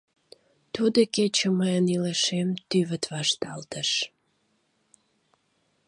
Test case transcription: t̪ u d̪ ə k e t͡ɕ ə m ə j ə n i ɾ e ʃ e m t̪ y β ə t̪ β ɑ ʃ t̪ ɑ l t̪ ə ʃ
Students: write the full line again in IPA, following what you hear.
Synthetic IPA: t̪ u d̪ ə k e t͡ɕ ə m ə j ə n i l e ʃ e m t̪ y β ə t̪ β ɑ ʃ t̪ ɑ l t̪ ə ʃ